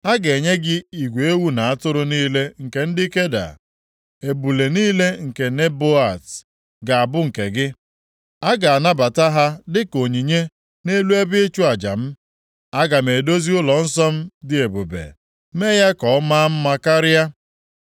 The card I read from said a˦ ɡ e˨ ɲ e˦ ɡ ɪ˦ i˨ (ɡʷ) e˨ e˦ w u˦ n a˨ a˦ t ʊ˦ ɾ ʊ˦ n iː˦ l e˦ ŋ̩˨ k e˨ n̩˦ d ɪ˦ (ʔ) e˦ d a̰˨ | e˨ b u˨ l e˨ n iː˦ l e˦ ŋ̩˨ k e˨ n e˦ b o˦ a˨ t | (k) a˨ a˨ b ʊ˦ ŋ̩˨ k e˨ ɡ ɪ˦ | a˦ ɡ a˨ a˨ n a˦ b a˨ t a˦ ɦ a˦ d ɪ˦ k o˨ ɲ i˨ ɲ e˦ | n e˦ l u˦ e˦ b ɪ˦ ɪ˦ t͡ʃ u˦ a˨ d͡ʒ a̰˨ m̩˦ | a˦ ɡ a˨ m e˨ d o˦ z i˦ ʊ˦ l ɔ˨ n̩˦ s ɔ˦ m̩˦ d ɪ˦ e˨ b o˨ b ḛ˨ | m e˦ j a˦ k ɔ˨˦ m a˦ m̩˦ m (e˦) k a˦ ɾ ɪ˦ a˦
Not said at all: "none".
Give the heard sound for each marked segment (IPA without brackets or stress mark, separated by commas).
ɡʷ, k, ɡ, a˦